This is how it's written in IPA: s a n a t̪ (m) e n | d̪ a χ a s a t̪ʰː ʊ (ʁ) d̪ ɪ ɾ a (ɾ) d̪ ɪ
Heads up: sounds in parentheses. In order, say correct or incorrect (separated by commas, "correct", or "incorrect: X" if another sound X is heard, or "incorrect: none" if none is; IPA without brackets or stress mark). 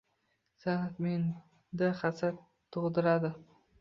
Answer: correct, correct, incorrect: none